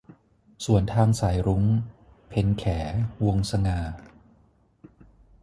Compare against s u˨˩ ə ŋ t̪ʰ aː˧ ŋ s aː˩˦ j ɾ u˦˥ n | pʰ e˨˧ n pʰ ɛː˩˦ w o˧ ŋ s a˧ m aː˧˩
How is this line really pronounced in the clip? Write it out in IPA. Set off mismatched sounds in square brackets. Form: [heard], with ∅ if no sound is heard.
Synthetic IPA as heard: s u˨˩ ə [n] t̪ʰ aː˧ ŋ s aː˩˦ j ɾ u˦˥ [ŋ] | pʰ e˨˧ n [kʰ] ɛː˩˦ w o˧ ŋ s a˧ [ŋ] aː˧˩

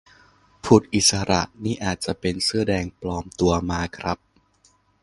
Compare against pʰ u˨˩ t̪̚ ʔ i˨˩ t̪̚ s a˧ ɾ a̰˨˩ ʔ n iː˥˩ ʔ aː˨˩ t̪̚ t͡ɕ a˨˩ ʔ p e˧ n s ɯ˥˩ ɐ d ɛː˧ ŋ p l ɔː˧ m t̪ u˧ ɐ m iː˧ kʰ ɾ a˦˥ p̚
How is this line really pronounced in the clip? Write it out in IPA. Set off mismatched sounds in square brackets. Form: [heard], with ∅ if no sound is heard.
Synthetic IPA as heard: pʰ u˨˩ t̪̚ ʔ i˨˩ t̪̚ s a˧ ɾ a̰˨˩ ʔ n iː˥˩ ʔ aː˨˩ t̪̚ t͡ɕ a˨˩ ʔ p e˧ n s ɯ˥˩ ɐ d ɛː˧ ŋ p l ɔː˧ m t̪ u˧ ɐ m [aː˧] kʰ ɾ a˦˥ p̚

